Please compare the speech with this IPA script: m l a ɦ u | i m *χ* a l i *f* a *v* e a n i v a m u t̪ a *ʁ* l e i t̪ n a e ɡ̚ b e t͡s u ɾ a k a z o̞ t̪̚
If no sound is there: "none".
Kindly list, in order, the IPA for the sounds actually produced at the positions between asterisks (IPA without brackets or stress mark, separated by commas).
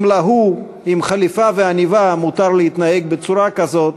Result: χ, f, v, ʁ